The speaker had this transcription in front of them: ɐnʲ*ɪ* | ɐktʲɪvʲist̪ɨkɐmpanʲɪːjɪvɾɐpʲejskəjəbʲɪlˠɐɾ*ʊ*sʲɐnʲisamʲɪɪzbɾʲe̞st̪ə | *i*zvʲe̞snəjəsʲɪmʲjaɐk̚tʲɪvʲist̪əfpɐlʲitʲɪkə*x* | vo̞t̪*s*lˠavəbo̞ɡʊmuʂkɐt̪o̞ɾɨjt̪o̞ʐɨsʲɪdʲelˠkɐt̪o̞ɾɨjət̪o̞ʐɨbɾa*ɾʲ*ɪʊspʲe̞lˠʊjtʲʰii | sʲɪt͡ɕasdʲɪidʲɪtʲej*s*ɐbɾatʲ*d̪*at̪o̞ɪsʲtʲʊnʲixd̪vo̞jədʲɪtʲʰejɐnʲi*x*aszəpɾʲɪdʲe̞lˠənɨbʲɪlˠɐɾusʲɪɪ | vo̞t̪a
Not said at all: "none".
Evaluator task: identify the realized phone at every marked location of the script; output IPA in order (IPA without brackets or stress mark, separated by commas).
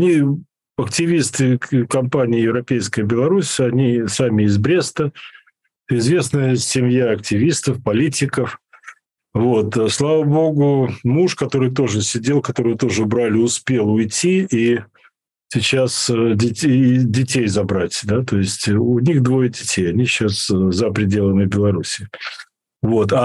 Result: i, u, ɪ, f, s, lʲ, z, d̪, ɕ